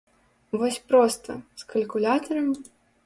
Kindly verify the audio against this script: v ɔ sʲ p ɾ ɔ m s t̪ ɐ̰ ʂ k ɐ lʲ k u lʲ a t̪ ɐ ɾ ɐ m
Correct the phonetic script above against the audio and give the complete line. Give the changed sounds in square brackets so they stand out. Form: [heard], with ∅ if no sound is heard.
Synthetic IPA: v ɔ sʲ p ɾ ɔ [∅] s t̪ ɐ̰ [s] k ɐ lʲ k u lʲ a t̪ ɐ ɾ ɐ m